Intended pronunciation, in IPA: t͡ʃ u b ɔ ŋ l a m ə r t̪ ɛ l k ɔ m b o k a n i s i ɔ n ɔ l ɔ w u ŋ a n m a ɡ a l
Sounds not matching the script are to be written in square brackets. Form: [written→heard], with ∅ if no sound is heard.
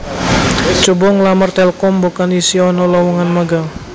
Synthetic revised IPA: t͡ʃ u b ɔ ŋ l a m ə r t̪ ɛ l k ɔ m b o k a n i s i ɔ n ɔ l ɔ w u ŋ a n m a ɡ a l